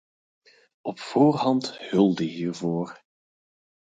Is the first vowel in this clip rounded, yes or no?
yes